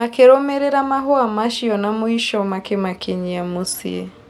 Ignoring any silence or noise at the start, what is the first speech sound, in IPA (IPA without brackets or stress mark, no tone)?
a